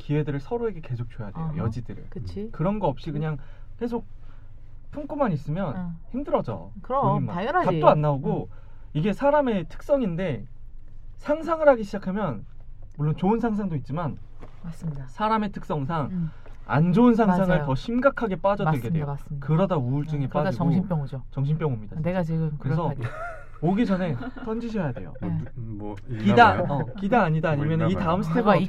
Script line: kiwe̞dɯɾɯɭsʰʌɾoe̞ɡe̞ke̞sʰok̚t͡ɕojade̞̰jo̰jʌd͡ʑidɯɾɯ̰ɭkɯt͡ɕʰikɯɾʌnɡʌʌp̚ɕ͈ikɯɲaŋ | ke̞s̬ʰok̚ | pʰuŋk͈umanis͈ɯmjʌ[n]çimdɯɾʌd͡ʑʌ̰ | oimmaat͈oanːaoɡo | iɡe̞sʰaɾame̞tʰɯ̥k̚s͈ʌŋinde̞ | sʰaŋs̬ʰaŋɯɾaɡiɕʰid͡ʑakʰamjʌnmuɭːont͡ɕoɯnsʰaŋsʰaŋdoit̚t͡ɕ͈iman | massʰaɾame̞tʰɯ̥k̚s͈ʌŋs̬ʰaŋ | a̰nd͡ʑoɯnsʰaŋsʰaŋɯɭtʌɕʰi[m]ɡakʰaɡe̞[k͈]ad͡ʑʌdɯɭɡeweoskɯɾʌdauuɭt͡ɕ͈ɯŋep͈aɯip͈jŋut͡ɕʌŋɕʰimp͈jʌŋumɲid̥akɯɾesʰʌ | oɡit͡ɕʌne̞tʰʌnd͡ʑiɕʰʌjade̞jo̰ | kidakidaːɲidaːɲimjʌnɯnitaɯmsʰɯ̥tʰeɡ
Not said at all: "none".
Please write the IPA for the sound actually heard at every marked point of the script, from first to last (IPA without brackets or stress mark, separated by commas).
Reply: n, m, p͈